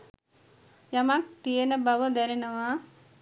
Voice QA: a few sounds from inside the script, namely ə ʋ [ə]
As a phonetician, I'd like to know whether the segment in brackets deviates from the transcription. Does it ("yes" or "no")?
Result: yes